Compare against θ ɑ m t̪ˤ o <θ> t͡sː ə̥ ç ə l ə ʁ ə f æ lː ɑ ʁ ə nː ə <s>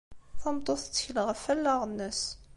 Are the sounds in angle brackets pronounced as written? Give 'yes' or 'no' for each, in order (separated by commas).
yes, yes